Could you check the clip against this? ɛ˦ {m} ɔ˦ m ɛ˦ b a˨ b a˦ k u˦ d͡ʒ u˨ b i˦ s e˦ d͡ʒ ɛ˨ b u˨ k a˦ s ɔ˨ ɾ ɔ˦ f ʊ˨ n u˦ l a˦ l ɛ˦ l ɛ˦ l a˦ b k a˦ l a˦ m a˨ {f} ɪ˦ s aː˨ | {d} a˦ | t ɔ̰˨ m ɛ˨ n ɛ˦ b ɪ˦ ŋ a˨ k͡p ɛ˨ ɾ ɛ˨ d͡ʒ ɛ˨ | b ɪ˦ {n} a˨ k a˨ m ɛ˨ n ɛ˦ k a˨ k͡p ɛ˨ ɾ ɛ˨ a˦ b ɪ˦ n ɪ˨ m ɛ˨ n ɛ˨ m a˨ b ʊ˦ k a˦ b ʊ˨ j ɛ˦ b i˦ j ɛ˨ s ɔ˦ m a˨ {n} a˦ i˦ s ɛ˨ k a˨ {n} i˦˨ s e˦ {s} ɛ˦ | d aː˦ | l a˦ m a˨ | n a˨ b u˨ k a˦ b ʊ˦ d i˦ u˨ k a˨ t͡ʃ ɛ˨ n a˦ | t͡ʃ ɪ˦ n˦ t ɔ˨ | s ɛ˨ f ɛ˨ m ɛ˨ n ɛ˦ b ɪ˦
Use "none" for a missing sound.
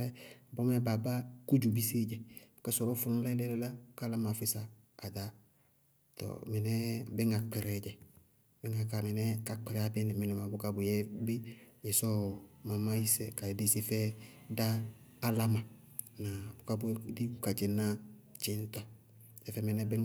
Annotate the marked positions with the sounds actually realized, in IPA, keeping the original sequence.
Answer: b, f, d, ŋ, m, d, f

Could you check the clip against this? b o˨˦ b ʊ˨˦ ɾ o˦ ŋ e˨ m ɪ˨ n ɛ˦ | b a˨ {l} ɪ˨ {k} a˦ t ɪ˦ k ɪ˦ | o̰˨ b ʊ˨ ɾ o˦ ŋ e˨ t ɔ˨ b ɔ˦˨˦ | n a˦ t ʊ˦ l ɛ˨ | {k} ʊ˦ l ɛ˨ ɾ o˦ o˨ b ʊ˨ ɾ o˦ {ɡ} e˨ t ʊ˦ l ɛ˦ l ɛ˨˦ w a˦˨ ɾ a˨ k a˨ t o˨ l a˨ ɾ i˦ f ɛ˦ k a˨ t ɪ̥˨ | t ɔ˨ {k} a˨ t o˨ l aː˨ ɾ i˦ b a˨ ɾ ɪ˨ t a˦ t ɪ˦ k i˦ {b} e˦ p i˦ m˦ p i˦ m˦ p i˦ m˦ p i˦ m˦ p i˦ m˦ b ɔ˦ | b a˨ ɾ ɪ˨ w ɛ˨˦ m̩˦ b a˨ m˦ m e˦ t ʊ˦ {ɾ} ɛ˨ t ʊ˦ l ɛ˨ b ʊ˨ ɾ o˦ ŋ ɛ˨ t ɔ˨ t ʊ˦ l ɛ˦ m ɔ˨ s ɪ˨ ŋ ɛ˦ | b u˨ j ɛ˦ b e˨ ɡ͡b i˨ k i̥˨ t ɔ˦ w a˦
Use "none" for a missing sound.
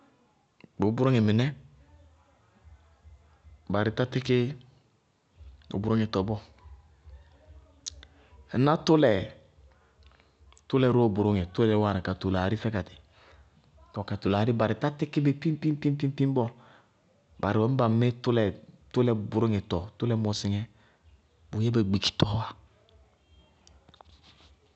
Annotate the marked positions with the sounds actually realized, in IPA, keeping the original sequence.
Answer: ɾ, t, t, ŋ, k, b, l

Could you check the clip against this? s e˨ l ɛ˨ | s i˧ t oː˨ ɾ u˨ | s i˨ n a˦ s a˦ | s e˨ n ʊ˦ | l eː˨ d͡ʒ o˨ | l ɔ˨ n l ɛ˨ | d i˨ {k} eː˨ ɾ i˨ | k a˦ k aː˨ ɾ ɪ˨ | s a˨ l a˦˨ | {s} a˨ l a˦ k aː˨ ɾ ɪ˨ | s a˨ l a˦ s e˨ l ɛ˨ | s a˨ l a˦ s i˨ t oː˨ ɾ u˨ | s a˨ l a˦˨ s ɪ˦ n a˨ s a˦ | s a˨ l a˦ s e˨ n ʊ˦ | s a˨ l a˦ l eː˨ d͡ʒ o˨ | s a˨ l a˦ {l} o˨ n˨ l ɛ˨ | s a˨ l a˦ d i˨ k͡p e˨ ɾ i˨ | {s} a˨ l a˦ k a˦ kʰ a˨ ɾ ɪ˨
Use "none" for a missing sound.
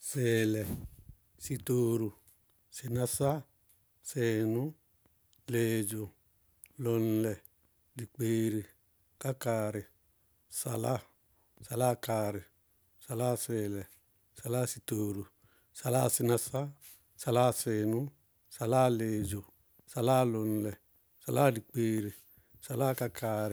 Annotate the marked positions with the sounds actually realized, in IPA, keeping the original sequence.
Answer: k͡p, s, l, s

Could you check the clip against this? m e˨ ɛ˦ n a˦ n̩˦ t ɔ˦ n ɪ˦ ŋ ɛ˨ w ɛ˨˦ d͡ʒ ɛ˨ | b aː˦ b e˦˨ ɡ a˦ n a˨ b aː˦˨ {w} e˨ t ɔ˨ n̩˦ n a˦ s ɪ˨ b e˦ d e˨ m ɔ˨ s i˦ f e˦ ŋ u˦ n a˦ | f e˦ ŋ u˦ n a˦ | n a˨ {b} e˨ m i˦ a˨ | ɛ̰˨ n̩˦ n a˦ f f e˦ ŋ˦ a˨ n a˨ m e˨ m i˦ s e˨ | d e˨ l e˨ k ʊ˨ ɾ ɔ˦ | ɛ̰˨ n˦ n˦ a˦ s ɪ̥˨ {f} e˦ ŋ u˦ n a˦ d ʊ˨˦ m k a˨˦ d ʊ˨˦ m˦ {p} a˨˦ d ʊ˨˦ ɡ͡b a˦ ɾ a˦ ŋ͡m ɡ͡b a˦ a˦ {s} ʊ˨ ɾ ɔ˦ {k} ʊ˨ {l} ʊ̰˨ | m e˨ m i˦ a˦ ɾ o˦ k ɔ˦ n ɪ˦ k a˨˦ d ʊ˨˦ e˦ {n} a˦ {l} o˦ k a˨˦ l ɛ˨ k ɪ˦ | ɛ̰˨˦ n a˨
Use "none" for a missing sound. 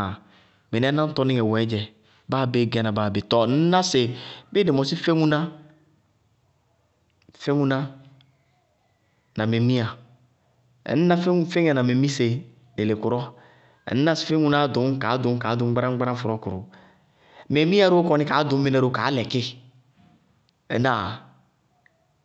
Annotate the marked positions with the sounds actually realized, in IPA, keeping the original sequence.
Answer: b, m, f, k, f, k, ɾ, n, ɾ

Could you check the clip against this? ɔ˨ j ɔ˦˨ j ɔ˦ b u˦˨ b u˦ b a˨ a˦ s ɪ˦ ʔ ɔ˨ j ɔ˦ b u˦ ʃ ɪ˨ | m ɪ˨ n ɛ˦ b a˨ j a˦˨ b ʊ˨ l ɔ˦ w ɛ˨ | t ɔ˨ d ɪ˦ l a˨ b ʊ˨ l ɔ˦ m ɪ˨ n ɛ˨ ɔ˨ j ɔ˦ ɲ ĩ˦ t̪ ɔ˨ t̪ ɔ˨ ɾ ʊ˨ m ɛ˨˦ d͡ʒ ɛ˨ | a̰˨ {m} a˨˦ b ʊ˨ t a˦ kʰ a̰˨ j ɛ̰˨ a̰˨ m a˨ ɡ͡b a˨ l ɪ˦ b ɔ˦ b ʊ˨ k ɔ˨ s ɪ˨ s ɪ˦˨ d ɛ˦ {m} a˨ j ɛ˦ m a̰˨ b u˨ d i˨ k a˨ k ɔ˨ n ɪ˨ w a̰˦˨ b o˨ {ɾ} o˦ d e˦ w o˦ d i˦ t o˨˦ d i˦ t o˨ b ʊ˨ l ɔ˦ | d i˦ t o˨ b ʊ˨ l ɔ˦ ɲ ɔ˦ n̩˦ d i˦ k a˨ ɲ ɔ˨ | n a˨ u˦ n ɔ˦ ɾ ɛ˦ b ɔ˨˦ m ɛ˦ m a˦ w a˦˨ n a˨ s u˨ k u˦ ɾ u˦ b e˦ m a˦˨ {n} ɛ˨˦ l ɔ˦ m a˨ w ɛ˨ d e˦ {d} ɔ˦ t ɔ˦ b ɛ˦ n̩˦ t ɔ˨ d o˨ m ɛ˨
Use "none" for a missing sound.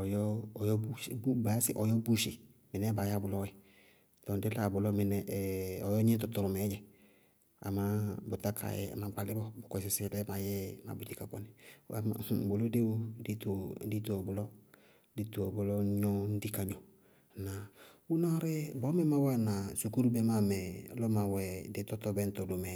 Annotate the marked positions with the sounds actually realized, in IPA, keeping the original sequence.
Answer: m, m, l, m, t

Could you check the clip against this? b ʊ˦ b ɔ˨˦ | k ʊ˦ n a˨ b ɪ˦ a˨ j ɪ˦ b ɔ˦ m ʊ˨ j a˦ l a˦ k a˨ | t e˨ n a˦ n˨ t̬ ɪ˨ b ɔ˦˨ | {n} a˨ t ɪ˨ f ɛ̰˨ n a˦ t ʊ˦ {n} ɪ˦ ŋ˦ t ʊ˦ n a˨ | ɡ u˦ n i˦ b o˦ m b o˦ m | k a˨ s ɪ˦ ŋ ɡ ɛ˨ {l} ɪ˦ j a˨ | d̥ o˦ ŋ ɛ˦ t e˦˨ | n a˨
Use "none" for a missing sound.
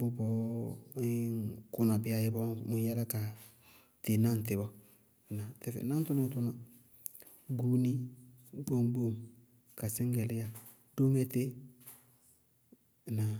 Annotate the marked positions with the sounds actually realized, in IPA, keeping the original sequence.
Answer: n, n, l

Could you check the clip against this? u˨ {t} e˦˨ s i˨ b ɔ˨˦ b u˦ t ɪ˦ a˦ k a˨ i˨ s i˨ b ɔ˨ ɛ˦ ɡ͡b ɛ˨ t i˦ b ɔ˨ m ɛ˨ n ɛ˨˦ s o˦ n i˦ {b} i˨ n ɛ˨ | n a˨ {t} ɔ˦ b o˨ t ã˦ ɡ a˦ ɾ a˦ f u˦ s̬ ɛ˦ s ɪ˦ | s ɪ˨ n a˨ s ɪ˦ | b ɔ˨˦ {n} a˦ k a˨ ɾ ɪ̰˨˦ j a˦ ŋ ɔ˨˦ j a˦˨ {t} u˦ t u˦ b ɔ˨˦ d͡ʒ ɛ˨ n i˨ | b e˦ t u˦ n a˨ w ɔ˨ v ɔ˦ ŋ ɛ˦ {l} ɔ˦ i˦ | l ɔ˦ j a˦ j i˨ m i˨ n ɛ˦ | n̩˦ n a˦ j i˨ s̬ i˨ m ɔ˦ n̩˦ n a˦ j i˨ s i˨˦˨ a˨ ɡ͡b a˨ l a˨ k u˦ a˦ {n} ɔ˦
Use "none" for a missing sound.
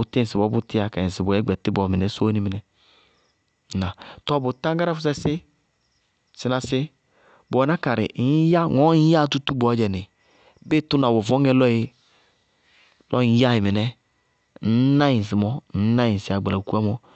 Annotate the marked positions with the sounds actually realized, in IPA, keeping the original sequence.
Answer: t, m, t, n, t, l, m

